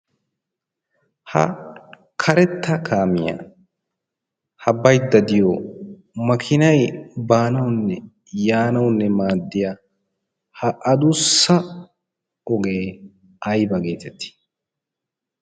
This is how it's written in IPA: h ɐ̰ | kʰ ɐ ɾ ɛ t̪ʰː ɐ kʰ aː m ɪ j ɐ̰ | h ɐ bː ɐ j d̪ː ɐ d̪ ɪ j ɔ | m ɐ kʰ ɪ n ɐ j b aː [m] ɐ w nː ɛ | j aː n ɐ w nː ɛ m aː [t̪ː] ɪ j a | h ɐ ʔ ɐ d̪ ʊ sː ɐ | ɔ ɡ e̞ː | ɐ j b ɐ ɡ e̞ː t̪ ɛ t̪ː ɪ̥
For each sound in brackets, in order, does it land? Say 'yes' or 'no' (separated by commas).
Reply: no, no